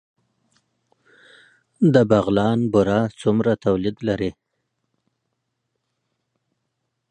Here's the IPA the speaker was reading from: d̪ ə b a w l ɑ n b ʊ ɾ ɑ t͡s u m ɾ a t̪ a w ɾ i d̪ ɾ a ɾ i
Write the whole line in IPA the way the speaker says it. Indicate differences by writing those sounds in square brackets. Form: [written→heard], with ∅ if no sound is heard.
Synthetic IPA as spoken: d̪ ə b a [w→ɣ] l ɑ n b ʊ ɾ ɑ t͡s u m ɾ a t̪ a w [ɾ→l] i d̪ [ɾ→l] a ɾ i